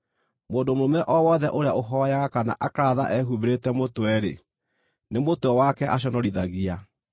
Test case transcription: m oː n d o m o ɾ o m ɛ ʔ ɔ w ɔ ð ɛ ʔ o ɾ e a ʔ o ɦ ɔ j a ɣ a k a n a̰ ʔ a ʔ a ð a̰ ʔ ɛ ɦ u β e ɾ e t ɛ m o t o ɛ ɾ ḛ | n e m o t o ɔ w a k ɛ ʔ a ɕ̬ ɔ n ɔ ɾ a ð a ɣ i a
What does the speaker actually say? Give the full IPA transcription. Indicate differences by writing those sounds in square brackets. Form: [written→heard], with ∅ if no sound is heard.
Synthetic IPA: m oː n d o m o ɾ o m ɛ ʔ ɔ w ɔ ð ɛ ʔ o ɾ e a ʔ o ɦ ɔ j a ɣ a k a n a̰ ʔ a [ʔ→k] a ð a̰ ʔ ɛ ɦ u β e ɾ e t ɛ m o t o ɛ ɾ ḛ | n e m o t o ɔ w a k ɛ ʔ a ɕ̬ ɔ n ɔ ɾ [a→i] ð a ɣ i a